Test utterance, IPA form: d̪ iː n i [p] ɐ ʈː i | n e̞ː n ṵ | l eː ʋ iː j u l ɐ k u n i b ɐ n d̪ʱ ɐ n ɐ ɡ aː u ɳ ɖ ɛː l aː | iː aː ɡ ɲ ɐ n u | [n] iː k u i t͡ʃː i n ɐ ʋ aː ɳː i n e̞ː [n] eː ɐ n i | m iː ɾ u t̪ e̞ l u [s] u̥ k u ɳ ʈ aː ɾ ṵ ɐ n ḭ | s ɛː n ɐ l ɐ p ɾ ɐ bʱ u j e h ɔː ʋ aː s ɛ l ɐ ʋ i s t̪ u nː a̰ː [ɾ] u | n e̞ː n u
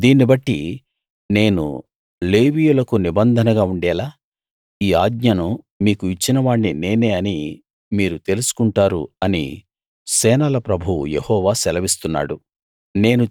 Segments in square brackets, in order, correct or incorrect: incorrect, incorrect, correct, correct, incorrect

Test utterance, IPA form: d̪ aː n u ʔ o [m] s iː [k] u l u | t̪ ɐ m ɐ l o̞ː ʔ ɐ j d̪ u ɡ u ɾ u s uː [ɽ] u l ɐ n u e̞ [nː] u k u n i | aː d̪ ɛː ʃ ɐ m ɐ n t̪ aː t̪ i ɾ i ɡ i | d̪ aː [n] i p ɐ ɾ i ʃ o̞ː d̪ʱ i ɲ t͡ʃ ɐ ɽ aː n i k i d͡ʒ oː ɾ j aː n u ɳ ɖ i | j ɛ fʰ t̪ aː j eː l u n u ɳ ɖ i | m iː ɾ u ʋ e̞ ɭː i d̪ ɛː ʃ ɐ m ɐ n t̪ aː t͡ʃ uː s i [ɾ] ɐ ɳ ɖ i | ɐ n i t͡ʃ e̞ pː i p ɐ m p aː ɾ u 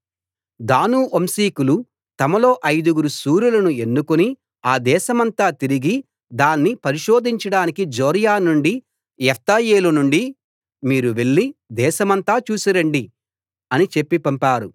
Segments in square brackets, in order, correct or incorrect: correct, correct, incorrect, correct, incorrect, correct

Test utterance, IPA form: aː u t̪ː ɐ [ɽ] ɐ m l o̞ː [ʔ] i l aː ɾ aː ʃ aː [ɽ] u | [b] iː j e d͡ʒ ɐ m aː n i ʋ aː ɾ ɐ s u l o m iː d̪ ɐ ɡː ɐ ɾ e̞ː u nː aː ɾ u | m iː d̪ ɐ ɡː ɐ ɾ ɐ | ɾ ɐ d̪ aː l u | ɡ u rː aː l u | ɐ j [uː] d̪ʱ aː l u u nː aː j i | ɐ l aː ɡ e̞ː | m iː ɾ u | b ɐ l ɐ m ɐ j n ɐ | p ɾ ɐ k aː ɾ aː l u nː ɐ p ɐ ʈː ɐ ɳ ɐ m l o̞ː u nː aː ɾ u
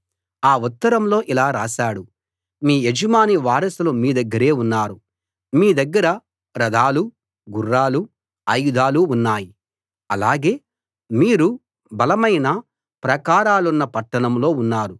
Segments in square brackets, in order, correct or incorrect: incorrect, correct, correct, incorrect, incorrect

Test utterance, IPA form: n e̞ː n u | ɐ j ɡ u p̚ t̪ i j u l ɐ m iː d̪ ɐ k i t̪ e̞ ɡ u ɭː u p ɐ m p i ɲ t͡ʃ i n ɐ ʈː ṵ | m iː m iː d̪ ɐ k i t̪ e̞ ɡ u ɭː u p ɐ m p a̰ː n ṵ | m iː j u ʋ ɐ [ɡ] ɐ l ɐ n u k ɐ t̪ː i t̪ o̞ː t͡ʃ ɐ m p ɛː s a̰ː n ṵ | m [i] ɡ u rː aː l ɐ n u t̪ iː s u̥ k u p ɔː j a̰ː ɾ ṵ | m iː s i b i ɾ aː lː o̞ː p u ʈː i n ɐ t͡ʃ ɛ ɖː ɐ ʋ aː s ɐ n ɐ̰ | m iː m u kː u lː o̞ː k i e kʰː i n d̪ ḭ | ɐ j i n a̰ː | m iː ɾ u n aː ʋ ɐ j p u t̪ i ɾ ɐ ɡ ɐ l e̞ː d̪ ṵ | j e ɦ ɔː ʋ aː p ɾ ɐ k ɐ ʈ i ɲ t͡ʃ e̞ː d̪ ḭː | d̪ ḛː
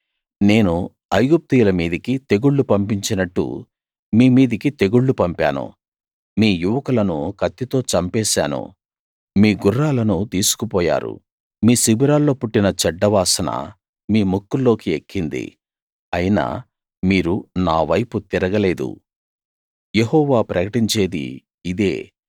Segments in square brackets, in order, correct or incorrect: incorrect, incorrect

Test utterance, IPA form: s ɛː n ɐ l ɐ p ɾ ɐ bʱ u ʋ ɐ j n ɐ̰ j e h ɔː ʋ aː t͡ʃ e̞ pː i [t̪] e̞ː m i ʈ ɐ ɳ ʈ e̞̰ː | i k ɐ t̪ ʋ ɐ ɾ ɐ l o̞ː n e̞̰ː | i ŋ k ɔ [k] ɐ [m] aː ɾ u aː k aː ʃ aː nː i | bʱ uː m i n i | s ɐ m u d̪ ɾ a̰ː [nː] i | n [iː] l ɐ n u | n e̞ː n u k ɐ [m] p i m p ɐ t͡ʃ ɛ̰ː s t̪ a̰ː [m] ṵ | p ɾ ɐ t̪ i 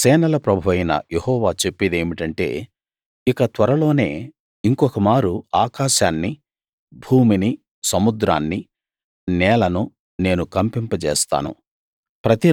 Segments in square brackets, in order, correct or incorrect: incorrect, correct, correct, correct, incorrect, correct, incorrect

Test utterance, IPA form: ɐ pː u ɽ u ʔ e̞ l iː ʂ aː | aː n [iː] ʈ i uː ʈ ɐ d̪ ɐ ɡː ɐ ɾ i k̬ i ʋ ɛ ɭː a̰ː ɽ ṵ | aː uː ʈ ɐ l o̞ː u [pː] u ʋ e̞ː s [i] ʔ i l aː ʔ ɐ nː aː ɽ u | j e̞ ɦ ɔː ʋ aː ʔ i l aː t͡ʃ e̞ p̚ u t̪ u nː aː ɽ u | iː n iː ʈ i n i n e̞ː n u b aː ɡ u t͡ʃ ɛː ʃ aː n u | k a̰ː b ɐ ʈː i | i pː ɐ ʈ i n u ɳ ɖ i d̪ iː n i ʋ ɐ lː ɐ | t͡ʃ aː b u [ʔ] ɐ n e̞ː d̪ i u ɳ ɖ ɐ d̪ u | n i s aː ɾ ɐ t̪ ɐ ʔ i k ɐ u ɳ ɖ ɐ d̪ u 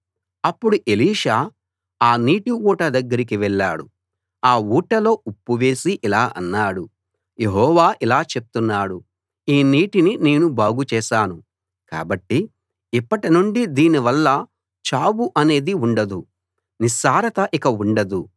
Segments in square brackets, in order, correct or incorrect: correct, correct, correct, correct

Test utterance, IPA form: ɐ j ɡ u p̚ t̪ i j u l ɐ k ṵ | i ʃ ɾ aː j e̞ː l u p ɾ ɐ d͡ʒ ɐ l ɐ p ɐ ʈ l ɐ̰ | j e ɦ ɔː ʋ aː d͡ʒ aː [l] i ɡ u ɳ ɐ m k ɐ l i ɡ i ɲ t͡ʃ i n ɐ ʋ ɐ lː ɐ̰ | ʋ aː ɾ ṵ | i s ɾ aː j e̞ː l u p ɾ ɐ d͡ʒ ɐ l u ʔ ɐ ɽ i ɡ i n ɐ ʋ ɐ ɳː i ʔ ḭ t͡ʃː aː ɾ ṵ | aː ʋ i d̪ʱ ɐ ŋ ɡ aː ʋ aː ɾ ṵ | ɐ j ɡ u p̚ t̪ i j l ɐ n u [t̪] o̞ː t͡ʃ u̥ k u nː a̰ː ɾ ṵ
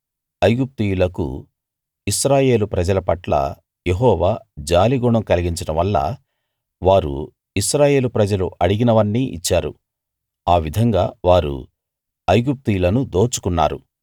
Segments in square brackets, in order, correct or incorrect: correct, incorrect

